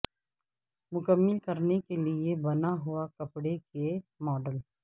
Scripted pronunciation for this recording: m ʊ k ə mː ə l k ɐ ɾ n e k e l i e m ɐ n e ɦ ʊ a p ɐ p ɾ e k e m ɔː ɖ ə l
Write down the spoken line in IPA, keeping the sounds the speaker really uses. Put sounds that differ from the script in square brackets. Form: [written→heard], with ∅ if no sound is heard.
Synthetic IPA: m ʊ k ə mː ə l k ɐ ɾ n e k e l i e [m→b] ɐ n [e→a] ɦ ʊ a [p→k] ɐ p [ɾ→ɽ] e k e m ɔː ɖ ə l